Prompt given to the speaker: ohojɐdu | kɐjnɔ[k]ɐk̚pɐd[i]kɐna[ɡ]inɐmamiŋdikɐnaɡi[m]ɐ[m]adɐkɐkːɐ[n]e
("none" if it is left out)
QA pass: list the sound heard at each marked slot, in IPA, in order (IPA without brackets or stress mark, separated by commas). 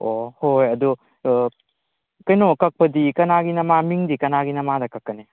k, i, ɡ, n, m, n